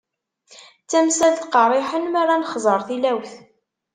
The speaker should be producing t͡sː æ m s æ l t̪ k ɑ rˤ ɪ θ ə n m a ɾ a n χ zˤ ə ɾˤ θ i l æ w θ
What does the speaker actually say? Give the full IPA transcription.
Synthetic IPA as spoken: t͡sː æ m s æ l t̪ q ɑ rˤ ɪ ħ ə n m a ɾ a n χ zˤ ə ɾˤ θ i l æ w θ